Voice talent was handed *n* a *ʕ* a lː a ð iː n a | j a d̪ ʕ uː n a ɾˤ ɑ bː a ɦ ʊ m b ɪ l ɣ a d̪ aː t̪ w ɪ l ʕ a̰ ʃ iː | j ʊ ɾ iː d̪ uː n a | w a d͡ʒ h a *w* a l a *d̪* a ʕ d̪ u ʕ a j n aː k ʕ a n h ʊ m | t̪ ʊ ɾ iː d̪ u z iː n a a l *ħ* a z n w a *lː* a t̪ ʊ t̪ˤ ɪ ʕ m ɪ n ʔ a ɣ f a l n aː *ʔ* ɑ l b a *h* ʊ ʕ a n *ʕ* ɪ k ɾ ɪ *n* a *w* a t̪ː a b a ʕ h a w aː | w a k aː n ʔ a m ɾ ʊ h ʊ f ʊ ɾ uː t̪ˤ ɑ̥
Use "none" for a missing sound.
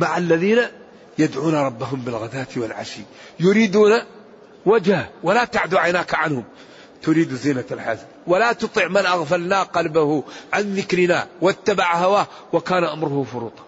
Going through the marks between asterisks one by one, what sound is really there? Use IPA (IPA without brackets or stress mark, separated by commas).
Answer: m, ʕ, w, t̪, ħ, l, q, h, ð, n, w